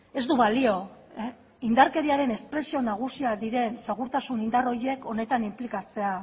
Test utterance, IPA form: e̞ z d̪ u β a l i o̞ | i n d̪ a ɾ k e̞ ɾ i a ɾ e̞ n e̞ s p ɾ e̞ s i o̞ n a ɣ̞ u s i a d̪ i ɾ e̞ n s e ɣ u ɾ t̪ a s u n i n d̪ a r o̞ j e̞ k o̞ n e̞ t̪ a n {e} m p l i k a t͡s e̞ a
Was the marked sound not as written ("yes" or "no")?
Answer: yes